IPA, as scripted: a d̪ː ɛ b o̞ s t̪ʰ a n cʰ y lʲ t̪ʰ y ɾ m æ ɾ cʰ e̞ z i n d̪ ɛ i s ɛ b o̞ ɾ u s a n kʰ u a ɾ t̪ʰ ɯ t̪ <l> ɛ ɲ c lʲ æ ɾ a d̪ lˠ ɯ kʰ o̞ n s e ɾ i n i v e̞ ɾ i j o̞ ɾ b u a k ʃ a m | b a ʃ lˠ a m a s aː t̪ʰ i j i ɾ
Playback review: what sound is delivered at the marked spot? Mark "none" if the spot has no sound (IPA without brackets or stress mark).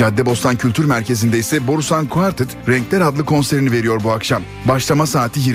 ɾ